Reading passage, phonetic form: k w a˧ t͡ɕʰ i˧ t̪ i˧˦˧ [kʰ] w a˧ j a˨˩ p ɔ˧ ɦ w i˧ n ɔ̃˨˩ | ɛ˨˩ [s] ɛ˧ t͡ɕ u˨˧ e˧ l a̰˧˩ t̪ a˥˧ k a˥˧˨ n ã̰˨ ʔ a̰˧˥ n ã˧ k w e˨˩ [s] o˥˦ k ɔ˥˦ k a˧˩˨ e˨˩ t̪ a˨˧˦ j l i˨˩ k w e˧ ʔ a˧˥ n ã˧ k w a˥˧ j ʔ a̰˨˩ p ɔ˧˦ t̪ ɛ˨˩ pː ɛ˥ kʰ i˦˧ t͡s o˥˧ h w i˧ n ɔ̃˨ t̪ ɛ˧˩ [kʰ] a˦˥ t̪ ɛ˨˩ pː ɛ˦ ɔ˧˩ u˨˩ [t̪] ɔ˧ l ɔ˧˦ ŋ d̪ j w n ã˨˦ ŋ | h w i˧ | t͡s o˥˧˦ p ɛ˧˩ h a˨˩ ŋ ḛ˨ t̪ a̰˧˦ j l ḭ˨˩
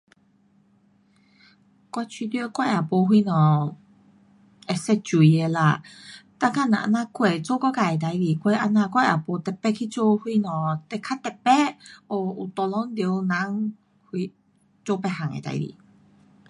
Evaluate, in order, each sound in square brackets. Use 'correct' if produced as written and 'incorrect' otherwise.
incorrect, correct, incorrect, correct, correct

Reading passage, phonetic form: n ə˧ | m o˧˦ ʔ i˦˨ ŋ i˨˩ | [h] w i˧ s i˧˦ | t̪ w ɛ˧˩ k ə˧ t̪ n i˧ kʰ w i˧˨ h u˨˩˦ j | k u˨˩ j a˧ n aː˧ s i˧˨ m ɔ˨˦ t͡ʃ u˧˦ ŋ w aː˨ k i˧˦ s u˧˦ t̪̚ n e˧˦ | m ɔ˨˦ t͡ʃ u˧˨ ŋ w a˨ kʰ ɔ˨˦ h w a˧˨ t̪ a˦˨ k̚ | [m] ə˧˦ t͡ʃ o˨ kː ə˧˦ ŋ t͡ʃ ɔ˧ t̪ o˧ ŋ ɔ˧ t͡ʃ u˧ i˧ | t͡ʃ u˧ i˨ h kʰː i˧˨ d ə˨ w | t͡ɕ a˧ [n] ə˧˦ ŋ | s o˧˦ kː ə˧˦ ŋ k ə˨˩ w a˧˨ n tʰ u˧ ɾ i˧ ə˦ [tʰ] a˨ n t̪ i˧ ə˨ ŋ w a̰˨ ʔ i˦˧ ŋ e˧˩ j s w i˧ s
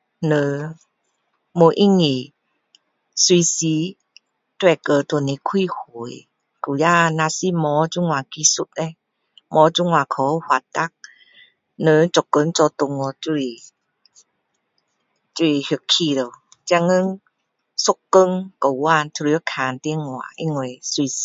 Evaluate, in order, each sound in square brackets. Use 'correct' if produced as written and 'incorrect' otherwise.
incorrect, incorrect, incorrect, incorrect

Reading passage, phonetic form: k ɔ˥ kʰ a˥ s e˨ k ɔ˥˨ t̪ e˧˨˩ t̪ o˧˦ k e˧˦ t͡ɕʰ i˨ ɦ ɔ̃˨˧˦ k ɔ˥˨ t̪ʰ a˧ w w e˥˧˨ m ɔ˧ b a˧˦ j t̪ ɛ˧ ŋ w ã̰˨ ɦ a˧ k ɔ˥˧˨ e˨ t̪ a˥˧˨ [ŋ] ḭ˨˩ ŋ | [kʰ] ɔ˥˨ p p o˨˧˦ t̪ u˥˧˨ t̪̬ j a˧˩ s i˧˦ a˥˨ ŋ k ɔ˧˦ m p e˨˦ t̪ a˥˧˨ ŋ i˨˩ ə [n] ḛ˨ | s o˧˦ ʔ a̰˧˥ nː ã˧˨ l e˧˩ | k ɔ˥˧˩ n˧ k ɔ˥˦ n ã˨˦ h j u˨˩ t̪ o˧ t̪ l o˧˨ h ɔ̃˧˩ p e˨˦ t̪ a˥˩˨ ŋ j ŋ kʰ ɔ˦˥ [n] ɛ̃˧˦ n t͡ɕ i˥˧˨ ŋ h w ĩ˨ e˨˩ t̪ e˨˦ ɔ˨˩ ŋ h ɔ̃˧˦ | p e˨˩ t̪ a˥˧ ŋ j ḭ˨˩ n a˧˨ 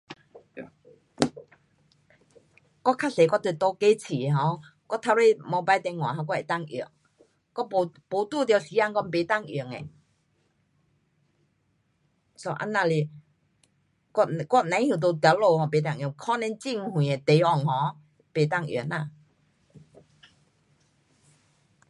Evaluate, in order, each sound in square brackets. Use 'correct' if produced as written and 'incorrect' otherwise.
correct, incorrect, incorrect, correct

